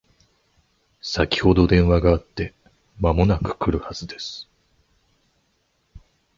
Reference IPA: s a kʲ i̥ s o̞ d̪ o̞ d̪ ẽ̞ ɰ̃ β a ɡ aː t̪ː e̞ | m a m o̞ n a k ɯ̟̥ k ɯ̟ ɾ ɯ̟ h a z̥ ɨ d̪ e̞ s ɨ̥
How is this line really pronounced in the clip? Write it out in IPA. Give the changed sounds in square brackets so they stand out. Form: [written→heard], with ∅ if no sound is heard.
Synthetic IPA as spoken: s a kʲ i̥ [s→h] o̞ d̪ o̞ d̪ ẽ̞ ɰ̃ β a ɡ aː t̪ː e̞ | m a m o̞ n a k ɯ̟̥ k ɯ̟ ɾ ɯ̟ h a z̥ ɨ d̪ e̞ s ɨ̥